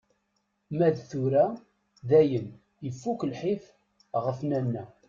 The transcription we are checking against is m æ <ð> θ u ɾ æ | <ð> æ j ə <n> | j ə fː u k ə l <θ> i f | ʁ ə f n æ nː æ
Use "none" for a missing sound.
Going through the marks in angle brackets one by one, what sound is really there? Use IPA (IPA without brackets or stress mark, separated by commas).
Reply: ð, ð, n, ħ